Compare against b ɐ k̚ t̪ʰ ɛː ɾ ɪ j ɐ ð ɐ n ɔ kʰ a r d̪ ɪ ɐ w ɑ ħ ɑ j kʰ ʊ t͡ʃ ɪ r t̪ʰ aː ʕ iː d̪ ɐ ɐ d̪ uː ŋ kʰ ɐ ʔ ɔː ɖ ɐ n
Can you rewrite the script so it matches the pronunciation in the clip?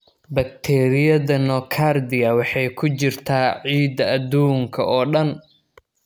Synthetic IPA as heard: b ɐ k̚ t̪ʰ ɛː ɾ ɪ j ɐ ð ɐ n ɔ kʰ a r d̪ ɪ ɐ w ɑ ħ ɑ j kʰ ʊ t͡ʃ ɪ r t̪ʰ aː ʕ iː d̪ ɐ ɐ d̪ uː ŋ kʰ ɐ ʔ ɔː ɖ ɐ n